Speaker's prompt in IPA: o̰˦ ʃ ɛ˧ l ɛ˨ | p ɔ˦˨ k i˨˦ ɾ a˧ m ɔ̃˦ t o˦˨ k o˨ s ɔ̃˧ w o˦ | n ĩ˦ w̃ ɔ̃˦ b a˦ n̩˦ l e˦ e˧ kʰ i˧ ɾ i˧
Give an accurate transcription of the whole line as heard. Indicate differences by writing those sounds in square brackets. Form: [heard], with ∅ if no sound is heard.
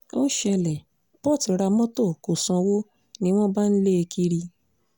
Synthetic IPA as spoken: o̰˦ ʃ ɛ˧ l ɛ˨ | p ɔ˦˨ [t] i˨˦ ɾ a˧ m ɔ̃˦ t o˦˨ k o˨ s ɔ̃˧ w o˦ | n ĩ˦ w̃ ɔ̃˦ b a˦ n̩˦ l e˦ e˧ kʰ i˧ ɾ i˧